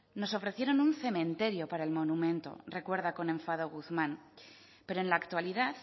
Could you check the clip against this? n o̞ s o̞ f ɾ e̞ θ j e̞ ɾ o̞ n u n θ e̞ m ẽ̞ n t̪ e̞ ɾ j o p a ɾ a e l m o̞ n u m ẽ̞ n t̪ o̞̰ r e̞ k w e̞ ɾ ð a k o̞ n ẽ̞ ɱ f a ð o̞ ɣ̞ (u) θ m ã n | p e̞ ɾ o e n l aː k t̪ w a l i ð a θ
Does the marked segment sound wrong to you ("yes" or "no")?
no